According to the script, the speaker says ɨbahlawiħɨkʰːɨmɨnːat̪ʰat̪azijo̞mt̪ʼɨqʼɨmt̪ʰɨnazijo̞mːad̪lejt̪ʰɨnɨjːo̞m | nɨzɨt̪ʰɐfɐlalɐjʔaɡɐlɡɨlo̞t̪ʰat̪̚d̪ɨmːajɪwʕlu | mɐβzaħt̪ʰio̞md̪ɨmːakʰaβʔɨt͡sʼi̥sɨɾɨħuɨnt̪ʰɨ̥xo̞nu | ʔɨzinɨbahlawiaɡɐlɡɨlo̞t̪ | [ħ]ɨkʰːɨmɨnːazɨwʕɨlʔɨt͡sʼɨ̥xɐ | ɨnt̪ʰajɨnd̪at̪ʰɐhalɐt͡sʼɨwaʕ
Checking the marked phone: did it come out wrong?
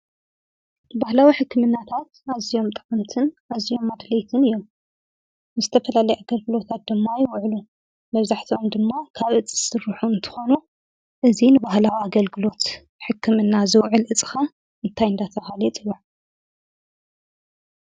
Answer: no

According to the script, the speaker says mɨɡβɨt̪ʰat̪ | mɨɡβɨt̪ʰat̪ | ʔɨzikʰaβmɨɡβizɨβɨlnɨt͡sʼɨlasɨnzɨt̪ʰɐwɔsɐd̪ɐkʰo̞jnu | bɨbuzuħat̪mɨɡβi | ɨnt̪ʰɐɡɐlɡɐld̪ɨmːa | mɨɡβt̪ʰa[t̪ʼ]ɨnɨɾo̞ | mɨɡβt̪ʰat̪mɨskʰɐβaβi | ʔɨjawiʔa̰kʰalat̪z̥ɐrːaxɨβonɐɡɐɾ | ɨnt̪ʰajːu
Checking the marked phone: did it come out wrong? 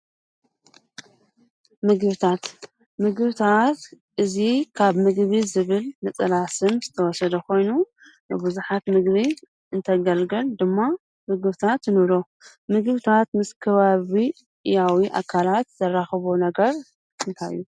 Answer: yes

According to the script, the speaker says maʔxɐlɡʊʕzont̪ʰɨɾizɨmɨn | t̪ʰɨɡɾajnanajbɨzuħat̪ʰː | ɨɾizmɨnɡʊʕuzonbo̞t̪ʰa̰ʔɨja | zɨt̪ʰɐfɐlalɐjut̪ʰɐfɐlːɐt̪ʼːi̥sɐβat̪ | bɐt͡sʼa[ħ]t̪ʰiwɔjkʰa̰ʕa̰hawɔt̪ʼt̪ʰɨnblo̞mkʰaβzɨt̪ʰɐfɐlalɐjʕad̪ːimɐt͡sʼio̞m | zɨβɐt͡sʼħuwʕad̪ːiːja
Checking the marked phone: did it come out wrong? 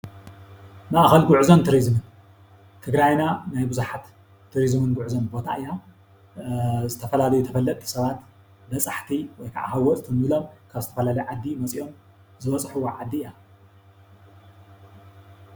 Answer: no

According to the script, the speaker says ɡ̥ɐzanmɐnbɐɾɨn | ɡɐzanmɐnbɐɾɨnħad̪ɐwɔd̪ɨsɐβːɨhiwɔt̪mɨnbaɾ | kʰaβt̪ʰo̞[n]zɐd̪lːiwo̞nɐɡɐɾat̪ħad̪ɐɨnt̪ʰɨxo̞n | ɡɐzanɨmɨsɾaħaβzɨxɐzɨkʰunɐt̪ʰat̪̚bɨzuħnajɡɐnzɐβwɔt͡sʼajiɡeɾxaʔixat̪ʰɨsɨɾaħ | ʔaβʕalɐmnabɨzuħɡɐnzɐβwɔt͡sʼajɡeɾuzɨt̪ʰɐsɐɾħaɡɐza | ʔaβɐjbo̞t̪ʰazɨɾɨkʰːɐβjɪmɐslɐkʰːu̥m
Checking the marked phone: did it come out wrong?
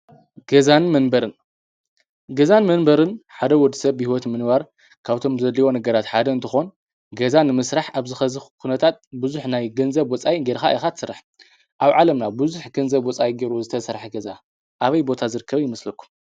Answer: yes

